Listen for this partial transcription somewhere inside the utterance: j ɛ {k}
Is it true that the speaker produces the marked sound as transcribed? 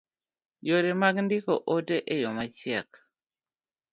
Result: yes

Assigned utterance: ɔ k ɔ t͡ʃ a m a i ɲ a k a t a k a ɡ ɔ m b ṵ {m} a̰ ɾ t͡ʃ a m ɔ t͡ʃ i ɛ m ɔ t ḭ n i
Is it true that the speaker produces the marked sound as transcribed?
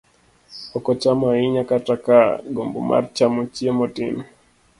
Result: yes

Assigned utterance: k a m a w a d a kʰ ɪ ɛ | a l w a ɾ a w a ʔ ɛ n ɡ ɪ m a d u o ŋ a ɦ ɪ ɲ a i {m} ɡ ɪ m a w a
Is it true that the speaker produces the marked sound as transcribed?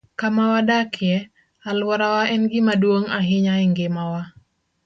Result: no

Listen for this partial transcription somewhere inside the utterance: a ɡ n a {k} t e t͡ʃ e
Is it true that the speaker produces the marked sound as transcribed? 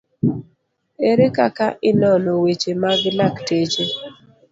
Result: yes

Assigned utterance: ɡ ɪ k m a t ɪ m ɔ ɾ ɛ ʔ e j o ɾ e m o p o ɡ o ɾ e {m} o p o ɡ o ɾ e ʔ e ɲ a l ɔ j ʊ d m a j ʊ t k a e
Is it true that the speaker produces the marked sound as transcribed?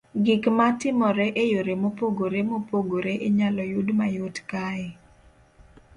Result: yes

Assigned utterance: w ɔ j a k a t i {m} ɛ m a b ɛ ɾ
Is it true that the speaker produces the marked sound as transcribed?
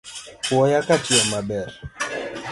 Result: no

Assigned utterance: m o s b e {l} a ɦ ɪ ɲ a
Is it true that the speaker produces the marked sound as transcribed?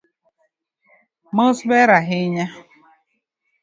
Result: no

